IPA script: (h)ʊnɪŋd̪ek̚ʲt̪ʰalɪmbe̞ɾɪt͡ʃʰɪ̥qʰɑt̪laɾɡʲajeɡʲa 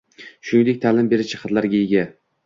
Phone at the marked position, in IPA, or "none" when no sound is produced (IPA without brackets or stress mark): ʃ